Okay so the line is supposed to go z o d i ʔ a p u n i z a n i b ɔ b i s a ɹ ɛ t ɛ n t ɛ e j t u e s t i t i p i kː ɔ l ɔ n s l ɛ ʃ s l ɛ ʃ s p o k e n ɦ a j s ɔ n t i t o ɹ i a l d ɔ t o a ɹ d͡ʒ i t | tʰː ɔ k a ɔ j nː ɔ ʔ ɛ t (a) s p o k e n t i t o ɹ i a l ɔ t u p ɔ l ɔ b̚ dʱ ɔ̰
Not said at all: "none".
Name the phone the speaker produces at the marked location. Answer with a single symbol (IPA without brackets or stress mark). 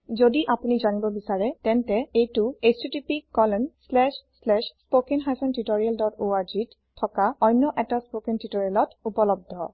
a